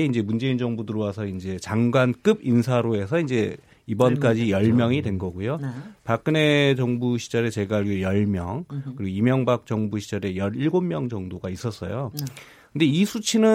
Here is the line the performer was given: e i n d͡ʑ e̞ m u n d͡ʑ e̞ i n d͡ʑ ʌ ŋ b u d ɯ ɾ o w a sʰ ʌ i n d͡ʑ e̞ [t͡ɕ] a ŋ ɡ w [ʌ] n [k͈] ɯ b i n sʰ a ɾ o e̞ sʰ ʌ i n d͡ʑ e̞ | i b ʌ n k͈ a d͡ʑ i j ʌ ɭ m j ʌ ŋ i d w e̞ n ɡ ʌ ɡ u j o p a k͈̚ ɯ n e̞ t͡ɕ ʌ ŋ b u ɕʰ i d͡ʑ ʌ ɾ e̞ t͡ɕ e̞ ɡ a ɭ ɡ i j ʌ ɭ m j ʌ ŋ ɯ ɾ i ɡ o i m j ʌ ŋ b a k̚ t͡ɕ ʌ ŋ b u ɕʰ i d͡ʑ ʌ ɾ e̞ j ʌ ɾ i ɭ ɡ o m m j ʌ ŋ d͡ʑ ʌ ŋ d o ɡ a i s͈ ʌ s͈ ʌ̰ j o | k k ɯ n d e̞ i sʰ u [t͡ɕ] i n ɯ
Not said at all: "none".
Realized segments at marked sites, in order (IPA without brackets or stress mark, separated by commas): t͡ɕ, a, k͈, t͡ɕʰ